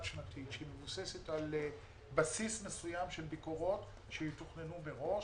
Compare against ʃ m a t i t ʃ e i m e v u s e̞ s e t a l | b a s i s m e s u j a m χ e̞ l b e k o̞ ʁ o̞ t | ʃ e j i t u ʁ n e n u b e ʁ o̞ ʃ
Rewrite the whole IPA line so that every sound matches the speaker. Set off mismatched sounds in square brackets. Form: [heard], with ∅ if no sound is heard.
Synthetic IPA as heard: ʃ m a t i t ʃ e i m e v u s e̞ s e t a l | b a s i s m e s u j a m [ʃ] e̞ l b [i] k o̞ ʁ o̞ t | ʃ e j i t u [χ] n e n u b e ʁ o̞ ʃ